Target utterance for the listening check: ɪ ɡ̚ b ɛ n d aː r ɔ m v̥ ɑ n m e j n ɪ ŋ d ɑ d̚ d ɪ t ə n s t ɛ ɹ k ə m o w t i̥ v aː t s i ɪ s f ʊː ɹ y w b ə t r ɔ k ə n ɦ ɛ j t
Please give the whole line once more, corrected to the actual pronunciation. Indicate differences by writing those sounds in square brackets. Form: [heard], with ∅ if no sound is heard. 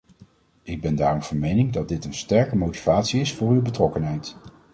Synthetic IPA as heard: ɪ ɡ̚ b ɛ n d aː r ɔ m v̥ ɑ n m e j n ɪ ŋ d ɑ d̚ d ɪ t ə n s t ɛ ɹ k ə m o w t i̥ v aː t s i ɪ s f ʊː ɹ y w b ə t r ɔ k ə n ɦ ɛ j t